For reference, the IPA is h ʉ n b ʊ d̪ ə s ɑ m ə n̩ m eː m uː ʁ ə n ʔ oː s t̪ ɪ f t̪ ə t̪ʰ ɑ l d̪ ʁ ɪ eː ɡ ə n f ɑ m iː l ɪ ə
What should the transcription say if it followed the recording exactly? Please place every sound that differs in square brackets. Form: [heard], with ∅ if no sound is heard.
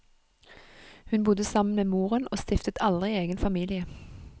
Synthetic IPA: h ʉ n b ʊ d̪ ə s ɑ m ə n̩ m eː m uː ʁ ə n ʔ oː s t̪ ɪ f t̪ ə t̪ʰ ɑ l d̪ ʁ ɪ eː ɡ ə n f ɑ m iː l ɪ ə